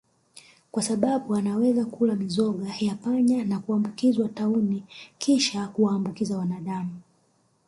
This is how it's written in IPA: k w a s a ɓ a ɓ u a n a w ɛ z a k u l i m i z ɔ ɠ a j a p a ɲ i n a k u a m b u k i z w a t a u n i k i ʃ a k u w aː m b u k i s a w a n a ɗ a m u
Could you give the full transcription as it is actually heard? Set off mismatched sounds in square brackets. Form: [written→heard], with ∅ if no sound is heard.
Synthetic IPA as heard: k w a s a ɓ a ɓ u a n a w ɛ z a k u l [i→a] m i z ɔ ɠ a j a p a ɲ [i→a] n a k u a m b u k i z w a t a u n i k i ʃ a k u w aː m b u k i [s→z] a w a n a ɗ a m u